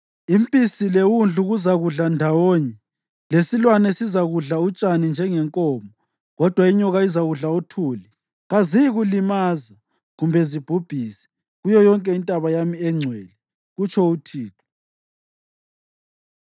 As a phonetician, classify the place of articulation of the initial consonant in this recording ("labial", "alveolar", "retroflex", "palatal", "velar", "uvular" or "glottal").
labial